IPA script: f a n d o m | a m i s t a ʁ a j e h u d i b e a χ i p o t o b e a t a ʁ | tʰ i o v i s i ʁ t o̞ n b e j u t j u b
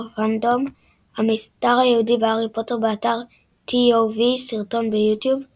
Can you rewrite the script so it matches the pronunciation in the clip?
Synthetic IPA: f a n d o m | a m i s t a ʁ a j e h u d i b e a ʁ i p o t o b e a t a ʁ | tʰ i o v i s i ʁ t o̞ n b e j u t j u b

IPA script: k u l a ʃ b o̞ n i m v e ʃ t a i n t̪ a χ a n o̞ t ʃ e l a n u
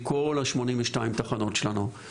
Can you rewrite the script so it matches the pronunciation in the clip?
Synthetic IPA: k o l a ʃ m o̞ n i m v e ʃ t a i m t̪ a χ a n o̞ t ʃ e l a n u

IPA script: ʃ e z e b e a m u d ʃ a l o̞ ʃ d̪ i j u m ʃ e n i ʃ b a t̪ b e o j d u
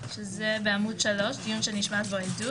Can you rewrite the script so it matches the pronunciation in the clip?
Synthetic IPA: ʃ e z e b e a m u d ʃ a l o̞ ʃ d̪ i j u n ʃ e n i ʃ m a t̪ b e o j d u

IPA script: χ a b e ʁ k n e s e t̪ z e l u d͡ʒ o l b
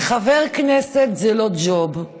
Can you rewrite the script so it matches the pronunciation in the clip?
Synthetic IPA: χ a v e ʁ k n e s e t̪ z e l o d͡ʒ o b

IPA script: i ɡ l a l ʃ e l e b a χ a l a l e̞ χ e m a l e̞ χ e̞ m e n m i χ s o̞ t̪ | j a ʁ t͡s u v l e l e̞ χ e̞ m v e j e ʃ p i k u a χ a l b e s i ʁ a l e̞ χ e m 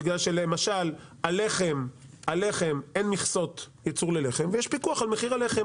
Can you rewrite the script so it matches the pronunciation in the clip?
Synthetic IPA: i ɡ l a l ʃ e l e m a ʃ a l a l e̞ χ e m a l e̞ χ e̞ m e n m i χ s o̞ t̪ | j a t͡s u ʁ l e l e̞ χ e̞ m v e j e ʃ p i k u a χ a l m e χ i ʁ a l e̞ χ e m

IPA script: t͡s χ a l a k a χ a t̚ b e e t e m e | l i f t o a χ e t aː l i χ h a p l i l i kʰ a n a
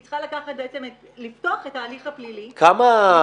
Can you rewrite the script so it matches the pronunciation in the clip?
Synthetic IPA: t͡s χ a l a k a χ a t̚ b e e t͡s e m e | l i f t o a χ e t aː l i χ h a p l i l i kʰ a m a

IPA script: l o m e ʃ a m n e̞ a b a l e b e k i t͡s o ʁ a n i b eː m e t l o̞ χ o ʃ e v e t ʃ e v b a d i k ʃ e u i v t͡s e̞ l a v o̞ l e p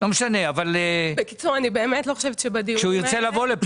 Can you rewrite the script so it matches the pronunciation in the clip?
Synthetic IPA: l o m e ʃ a n e̞ a v a l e b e k i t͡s u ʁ a n i b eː m e t l o̞ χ o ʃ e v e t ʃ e b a d i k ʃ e u i ʁ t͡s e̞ l a v o̞ l e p

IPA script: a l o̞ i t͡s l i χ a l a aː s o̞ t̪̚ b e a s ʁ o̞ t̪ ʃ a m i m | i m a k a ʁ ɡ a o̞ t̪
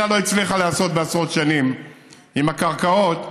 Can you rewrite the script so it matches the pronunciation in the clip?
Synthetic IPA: a l o̞ i t͡s l i χ a l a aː s o̞ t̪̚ b e a s ʁ o̞ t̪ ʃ a n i m | i m a k a ʁ k a o̞ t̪

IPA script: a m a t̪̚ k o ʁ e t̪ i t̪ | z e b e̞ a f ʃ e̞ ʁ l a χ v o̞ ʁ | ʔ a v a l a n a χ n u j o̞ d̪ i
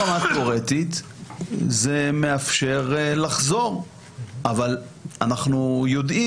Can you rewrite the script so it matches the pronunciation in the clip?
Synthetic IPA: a m a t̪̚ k o ʁ e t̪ i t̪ | z e m e̞ a f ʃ e̞ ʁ l a χ z o̞ ʁ | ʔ a v a l a n a χ n u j o̞ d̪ i

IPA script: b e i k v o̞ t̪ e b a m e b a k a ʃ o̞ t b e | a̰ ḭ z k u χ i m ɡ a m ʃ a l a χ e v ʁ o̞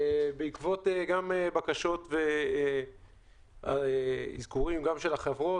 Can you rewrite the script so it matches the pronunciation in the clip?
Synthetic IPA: b e i k v o̞ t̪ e ɡ a m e b a k a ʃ o̞ t v e | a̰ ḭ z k u ʁ i m ɡ a m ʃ e l a χ e v ʁ o̞

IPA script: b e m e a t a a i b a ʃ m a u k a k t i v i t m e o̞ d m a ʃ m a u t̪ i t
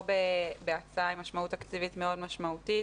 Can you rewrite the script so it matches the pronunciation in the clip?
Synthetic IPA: b e b e a t͡s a a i m a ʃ m a u t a k t͡s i v i t m e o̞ d m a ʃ m a u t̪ i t

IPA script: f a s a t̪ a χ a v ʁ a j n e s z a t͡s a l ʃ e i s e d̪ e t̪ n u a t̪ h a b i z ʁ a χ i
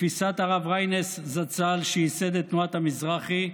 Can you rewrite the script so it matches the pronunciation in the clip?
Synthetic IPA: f i s a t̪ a ʁ a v ʁ a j n e s z a t͡s a l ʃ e i s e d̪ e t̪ n u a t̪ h a m i z ʁ a χ i

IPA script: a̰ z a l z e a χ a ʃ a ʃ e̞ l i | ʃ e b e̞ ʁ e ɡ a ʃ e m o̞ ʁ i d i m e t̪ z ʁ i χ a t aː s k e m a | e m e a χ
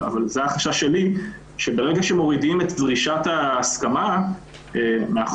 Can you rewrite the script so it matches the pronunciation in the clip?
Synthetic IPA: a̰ v a l z e a χ a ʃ a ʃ e̞ l i | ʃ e b e̞ ʁ e ɡ a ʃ e m o̞ ʁ i d i m e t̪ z ʁ i ʃ a t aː s k a m a | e m e a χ

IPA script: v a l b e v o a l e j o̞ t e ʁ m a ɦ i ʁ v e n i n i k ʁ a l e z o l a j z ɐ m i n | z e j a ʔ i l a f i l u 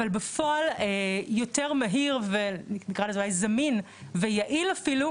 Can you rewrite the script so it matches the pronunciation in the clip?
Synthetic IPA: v a l b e f o a l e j o̞ t e ʁ m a ɦ i ʁ v e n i n i k ʁ a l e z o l a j z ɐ m i n | v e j a ʔ i l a f i l u

